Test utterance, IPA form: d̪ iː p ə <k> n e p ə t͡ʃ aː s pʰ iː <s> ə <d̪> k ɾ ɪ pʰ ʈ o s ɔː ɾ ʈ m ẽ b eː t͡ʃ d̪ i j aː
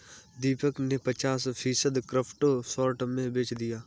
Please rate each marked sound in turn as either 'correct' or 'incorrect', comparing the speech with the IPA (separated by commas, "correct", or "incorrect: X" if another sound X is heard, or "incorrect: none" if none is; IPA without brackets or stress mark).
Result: correct, correct, correct